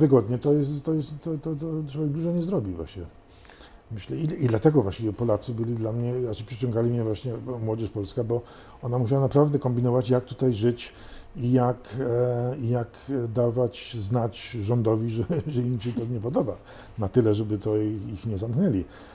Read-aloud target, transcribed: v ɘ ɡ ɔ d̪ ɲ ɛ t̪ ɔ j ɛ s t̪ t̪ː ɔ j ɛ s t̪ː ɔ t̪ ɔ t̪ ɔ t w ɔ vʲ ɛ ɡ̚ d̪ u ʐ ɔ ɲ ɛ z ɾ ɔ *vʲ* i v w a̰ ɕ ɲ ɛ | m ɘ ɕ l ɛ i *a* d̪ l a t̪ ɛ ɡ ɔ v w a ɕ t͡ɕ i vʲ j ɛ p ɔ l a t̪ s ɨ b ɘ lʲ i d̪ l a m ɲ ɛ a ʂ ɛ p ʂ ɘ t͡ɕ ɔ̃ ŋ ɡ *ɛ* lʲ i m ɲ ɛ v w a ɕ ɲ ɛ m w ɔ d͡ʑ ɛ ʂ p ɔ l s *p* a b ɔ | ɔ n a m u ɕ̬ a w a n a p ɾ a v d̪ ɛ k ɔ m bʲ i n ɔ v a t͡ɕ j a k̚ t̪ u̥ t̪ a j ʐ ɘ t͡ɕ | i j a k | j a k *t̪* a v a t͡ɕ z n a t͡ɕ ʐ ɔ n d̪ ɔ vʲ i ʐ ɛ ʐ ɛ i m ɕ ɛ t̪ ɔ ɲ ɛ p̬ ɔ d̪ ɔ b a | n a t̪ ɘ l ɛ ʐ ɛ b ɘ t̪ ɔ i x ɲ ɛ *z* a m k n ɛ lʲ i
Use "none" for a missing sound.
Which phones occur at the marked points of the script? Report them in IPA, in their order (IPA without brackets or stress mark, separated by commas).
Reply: bʲ, i, a, k, d̪, z